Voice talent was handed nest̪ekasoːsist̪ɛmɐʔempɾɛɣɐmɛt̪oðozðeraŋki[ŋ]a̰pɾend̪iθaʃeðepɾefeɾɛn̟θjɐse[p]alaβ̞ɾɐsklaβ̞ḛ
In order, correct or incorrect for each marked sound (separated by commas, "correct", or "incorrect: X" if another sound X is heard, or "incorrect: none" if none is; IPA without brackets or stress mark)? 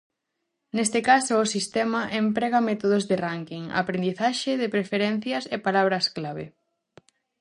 correct, correct